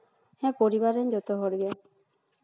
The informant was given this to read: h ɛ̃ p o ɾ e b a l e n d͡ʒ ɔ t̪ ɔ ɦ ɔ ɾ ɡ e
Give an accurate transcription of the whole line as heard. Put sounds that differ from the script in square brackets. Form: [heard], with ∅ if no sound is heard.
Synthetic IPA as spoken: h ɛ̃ p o ɾ [i] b a [ɾ] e n d͡ʒ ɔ t̪ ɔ ɦ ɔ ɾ ɡ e